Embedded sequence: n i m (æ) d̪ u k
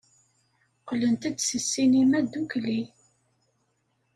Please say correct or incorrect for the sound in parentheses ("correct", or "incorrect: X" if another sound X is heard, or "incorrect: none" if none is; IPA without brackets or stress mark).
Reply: correct